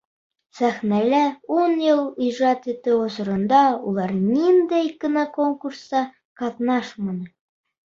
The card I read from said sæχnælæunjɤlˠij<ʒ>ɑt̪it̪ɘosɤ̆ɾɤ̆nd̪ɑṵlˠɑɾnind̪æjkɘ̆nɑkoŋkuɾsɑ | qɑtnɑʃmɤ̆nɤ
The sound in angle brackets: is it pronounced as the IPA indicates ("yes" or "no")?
yes